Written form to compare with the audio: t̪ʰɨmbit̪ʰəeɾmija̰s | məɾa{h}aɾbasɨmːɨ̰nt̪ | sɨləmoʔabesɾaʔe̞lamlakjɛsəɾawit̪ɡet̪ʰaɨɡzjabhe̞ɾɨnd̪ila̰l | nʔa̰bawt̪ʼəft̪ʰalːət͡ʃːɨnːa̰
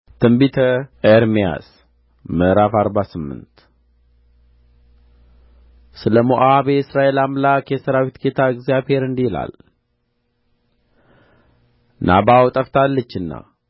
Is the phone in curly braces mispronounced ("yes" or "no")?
yes